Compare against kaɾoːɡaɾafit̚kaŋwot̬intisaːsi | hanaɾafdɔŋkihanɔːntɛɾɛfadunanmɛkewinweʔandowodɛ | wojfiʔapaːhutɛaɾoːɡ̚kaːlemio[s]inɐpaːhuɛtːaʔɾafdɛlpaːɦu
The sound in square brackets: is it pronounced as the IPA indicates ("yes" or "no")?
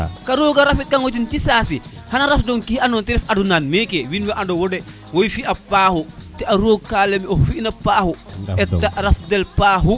no